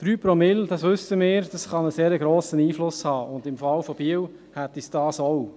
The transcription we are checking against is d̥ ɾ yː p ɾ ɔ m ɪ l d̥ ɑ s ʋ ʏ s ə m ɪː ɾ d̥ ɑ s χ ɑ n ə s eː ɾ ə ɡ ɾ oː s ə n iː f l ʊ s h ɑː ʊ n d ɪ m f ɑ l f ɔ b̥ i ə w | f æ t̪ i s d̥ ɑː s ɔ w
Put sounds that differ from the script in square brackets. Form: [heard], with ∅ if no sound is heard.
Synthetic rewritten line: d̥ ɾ yː p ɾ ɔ m ɪ l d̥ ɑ s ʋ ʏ s ə m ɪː ɾ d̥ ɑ s χ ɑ n ə s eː ɾ ə ɡ ɾ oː s ə n iː f l ʊ s h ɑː ʊ n d ɪ m f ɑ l f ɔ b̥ i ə w | [h] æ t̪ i s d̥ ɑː s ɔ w